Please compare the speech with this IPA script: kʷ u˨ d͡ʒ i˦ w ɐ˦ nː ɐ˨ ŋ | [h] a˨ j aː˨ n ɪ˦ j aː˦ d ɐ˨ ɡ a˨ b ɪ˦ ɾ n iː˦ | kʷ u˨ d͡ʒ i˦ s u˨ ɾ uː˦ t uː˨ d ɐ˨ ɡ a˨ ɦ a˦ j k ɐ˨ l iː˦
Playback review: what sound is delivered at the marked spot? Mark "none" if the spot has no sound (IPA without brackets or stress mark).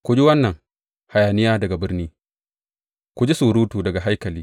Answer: h